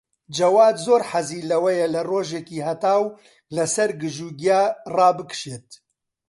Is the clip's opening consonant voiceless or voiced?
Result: voiced